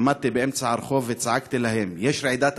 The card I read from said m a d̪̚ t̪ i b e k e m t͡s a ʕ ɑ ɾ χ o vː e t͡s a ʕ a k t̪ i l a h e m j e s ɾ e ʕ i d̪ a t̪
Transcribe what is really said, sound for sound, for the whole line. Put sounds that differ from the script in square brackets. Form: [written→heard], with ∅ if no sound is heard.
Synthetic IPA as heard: m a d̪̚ t̪ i b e [k→ʔ] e m t͡s a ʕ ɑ ɾ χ o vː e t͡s a ʕ a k t̪ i l a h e m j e [s→ʃ] ɾ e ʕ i d̪ a t̪